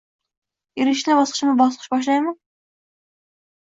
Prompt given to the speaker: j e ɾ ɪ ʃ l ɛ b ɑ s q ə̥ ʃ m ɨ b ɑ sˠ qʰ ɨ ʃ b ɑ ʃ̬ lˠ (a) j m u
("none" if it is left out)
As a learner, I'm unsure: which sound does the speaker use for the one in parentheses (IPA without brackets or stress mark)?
ɑ